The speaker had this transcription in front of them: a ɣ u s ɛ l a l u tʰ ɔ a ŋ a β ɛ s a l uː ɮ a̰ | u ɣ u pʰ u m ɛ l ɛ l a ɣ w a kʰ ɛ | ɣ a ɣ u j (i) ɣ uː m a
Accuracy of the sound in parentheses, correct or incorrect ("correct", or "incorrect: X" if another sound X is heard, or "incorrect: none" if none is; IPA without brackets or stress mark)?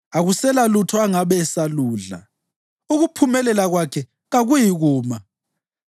correct